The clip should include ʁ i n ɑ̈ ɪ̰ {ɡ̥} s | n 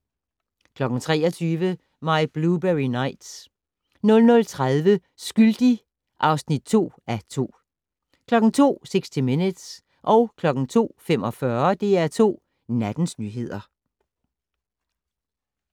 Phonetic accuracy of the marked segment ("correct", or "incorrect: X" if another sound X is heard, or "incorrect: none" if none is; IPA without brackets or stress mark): incorrect: d̥